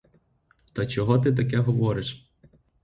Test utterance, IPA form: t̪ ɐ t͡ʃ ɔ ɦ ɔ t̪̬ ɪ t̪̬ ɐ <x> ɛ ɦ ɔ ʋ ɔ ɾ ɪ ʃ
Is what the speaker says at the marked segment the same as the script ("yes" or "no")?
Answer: no